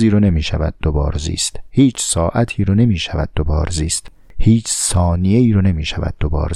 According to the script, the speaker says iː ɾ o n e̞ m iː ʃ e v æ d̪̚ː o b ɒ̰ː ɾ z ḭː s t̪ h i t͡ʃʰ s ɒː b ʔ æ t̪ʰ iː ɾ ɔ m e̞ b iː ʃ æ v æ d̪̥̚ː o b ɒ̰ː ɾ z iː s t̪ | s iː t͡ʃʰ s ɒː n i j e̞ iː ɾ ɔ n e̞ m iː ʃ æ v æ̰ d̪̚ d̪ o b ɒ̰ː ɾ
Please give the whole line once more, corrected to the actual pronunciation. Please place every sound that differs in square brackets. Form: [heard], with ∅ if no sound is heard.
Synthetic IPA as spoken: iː ɾ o n e̞ m iː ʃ [æ] v æ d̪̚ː o b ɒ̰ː ɾ z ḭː s t̪ h [iː] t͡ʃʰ s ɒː [∅] ʔ æ t̪ʰ iː ɾ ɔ [n] e̞ [m] iː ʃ æ v æ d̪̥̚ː o b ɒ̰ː ɾ z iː s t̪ | [h] iː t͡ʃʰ s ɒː n i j e̞ iː ɾ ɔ n e̞ m iː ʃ æ v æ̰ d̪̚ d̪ o b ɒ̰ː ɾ